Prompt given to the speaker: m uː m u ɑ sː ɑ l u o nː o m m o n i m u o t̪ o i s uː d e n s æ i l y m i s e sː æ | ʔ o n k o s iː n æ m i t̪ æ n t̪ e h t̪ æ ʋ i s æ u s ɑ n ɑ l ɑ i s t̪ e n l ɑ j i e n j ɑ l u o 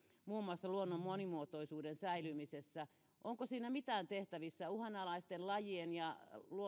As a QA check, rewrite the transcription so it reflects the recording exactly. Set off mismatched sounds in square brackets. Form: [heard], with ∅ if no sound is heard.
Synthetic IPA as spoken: m uː m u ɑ sː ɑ l u o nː o m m o n i m u o t̪ o i s uː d e n s æ i l y m i s e sː æ | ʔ o [ŋ] k o s iː n æ m i t̪ [æː] n t̪ e h t̪ æ ʋ i [sː] æ u [h] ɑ n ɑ l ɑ i s t̪ e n l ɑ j i e n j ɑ l u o